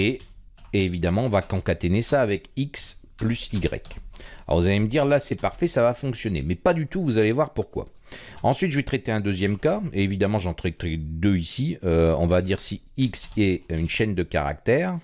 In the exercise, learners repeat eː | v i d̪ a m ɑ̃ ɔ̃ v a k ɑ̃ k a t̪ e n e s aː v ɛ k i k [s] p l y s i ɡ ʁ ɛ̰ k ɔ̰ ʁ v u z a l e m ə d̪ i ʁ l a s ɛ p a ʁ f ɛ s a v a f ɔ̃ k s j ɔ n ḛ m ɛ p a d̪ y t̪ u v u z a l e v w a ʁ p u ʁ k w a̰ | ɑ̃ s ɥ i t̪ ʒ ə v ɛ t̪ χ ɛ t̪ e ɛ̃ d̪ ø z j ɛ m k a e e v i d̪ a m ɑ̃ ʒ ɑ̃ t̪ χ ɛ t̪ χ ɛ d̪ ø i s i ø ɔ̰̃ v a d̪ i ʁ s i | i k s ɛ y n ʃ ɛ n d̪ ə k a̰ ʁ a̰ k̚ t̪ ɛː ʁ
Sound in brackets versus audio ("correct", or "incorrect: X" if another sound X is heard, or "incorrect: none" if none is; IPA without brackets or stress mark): correct